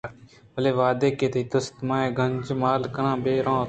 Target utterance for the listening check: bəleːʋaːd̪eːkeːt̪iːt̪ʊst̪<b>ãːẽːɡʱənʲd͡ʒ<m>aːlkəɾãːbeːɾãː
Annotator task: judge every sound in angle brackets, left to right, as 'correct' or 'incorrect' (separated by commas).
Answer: incorrect, correct